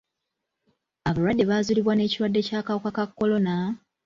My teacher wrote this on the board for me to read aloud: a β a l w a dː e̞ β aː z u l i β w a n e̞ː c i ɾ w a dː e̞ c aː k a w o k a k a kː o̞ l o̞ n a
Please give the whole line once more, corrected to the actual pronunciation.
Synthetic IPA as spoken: a β a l w a dː e̞ β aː z u l i β w a n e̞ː c i ɾ w a dː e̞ c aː k a w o k a k a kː o̞ l o̞ n a